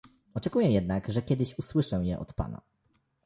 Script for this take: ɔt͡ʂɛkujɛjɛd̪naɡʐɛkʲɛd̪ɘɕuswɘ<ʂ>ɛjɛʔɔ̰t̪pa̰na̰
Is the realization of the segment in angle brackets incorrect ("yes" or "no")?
no